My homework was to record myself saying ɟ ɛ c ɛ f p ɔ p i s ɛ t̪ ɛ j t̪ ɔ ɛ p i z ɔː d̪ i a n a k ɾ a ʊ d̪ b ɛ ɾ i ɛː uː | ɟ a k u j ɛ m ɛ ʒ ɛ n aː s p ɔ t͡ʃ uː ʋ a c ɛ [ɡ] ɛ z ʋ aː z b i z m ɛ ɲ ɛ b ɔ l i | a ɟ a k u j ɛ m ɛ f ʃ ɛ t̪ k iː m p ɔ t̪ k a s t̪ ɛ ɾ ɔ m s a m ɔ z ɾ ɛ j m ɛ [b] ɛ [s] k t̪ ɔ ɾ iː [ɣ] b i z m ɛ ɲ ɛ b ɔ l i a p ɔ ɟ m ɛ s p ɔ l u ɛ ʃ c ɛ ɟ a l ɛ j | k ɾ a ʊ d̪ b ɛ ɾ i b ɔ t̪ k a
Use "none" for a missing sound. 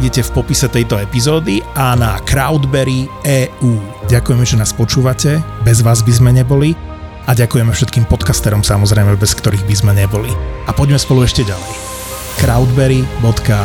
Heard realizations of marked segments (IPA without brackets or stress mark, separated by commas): b, b, s, ɣ